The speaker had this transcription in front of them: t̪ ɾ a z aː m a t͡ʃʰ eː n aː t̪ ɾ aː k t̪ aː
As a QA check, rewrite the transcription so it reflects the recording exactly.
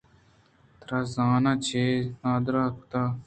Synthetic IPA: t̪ ɾ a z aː n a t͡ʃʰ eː n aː d̪ ɾ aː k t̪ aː